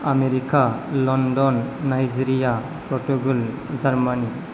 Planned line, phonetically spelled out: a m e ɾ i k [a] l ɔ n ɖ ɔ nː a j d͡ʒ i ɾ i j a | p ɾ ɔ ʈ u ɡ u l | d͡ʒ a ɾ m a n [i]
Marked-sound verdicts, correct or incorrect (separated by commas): correct, correct